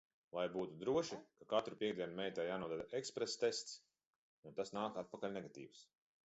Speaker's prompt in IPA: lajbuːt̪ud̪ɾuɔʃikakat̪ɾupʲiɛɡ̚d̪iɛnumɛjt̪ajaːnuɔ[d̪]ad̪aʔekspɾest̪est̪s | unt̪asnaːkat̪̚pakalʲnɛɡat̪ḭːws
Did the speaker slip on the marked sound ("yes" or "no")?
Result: no